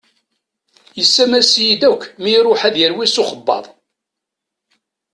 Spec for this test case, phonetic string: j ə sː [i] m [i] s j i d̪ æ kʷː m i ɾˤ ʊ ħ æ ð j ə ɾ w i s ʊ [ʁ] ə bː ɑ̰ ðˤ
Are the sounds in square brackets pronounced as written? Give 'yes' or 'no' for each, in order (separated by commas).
no, no, no